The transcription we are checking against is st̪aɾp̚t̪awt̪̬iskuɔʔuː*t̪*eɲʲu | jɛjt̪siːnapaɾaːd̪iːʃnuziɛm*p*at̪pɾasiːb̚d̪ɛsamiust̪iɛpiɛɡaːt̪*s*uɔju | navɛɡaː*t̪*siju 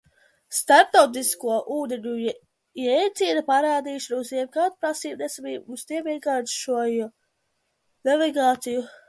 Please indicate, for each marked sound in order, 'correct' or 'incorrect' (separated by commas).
incorrect, incorrect, incorrect, correct